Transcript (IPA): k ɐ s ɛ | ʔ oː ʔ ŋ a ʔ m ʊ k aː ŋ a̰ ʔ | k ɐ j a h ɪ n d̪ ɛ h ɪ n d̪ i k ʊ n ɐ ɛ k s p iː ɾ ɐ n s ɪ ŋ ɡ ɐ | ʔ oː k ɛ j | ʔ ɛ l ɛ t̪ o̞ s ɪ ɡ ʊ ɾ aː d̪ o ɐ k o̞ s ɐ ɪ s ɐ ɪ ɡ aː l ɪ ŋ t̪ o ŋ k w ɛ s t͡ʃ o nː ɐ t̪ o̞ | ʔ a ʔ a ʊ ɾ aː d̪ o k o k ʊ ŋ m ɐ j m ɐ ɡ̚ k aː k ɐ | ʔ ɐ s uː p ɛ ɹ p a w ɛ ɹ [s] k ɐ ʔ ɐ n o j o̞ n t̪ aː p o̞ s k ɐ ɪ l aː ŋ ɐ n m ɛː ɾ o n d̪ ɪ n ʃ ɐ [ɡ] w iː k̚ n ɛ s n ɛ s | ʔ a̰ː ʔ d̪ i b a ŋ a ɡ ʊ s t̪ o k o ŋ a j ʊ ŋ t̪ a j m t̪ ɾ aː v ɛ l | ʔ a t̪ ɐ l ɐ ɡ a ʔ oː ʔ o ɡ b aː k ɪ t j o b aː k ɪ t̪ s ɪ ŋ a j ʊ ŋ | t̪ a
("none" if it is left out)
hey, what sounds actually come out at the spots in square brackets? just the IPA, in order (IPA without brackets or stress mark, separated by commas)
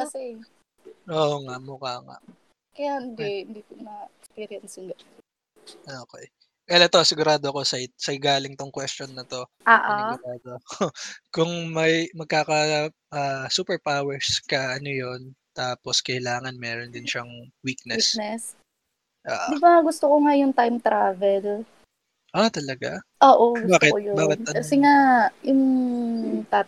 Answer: s, ŋ